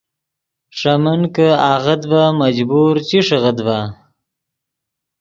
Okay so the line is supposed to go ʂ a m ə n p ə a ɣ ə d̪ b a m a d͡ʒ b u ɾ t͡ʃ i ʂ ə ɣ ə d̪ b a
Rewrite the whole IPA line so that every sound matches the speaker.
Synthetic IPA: ʂ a m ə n k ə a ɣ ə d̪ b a m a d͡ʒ b u ɾ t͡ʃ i ʂ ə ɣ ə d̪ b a